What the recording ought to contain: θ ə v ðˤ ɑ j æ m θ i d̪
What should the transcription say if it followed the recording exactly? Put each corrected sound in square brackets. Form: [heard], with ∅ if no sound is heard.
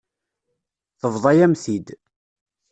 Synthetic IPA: θ ə v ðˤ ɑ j æ m θ i d̪

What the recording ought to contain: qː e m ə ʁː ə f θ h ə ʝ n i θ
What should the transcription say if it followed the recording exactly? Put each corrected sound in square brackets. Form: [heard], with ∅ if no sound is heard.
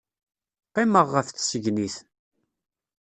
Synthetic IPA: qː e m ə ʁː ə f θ [s] ə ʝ n i θ

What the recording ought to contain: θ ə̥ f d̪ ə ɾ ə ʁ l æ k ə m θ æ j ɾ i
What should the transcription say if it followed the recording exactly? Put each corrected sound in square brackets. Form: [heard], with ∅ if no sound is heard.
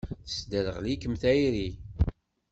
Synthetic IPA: θ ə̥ [s] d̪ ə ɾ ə ʁ l [i] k ə m θ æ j ɾ i

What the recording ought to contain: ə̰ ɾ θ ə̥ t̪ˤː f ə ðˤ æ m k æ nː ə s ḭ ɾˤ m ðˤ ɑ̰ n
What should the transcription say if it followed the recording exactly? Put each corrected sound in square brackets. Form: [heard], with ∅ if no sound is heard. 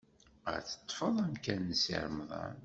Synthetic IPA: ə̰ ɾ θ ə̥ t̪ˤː f ə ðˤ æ m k æ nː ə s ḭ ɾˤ m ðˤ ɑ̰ n

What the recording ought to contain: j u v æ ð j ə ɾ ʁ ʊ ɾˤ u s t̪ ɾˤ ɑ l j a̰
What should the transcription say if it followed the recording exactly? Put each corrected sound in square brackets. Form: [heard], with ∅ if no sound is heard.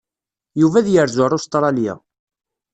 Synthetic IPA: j u v æ ð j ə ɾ [z] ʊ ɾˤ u s t̪ ɾˤ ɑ l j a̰

